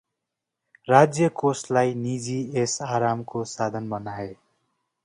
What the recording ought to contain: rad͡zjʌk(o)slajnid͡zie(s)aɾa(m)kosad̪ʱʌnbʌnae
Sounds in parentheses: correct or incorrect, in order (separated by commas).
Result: correct, correct, correct